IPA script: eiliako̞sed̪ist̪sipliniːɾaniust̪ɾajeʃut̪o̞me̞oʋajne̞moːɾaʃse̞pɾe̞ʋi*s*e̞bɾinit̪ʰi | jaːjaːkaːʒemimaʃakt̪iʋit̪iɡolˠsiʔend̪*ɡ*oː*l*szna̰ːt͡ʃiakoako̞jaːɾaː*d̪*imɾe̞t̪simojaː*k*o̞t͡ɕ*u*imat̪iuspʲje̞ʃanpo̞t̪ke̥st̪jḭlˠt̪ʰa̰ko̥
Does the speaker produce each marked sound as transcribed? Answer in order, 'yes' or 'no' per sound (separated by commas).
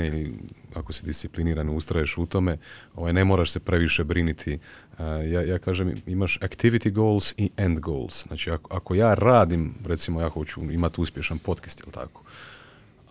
no, yes, yes, yes, no, yes